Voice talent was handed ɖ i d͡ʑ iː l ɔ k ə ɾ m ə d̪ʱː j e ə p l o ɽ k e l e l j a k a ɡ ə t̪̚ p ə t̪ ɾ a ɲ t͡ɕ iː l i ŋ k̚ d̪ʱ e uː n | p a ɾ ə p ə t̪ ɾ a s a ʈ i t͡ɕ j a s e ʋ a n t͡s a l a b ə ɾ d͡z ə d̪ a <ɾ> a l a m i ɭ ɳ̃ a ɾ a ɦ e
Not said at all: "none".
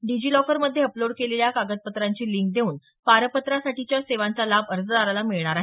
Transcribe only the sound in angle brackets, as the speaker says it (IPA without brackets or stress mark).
ɾ